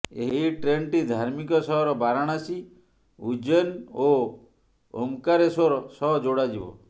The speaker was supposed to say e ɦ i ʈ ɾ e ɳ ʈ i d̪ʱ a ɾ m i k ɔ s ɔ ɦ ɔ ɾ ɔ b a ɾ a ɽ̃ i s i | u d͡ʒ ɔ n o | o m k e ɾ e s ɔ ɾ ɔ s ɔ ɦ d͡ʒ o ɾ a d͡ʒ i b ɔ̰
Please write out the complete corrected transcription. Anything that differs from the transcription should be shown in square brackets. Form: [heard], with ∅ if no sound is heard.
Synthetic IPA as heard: e ɦ i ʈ ɾ e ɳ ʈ i d̪ʱ a ɾ m i k ɔ s ɔ ɦ ɔ ɾ ɔ b a ɾ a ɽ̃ [a] s i | u d͡ʒ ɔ n o | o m k [a] ɾ e s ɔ ɾ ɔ s ɔ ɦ d͡ʒ o [ɽ] a d͡ʒ i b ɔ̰

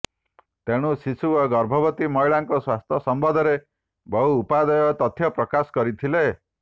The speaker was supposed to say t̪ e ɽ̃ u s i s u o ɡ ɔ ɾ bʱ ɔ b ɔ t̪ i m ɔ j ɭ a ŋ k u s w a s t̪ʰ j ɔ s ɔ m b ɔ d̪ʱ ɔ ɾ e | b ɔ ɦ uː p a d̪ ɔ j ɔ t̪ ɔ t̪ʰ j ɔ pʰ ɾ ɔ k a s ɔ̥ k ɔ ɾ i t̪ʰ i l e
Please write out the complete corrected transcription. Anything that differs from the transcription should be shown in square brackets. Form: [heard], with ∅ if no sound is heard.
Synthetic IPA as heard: t̪ e ɽ̃ u s i s u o ɡ ɔ ɾ bʱ ɔ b ɔ t̪ i m ɔ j ɭ a ŋ k [ɔ] s w a s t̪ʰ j ɔ s ɔ m b ɔ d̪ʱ ɔ ɾ e | b ɔ ɦ uː p a d̪ ɔ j ɔ t̪ ɔ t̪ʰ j ɔ [p] ɾ ɔ k a s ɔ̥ k ɔ ɾ i t̪ʰ i l e

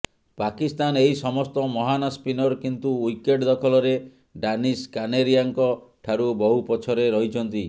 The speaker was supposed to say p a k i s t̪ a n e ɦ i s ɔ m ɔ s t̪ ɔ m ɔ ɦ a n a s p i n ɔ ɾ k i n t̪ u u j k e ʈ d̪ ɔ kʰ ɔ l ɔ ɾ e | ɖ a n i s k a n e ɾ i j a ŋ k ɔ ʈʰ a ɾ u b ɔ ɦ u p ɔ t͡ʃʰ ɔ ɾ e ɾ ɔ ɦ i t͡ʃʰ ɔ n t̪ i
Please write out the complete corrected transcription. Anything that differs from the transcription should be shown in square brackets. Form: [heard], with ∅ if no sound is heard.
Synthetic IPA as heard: p a k i s t̪ a n e ɦ i s ɔ m ɔ s t̪ ɔ m ɔ ɦ a n a s p i n ɔ ɾ k i n t̪ u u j k e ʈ d̪ ɔ kʰ ɔ l ɔ ɾ e | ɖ a n i s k a n e ɾ i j a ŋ k ɔ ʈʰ a ɾ u b ɔ ɦ u p ɔ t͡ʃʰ ɔ ɾ e ɾ ɔ ɦ i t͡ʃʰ ɔ n t̪ i

